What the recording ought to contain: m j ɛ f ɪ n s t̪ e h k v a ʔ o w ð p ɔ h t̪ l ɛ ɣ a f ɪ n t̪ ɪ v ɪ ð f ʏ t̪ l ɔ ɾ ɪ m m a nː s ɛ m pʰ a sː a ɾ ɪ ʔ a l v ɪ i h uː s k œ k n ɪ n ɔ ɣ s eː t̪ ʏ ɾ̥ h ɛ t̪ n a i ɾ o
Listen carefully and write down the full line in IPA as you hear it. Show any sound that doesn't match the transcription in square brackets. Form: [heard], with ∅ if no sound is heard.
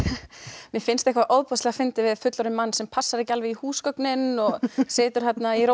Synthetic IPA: m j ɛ f ɪ n s t̪ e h k v a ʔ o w ð p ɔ [s] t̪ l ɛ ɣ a f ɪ n t̪ ɪ v ɪ ð f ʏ t̪ l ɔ ɾ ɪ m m a nː s ɛ m pʰ a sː a ɾ ɪ [c] a l v ɪ i h uː s k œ k n ɪ n ɔ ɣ s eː t̪ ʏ ɾ̥ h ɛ t̪ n a i ɾ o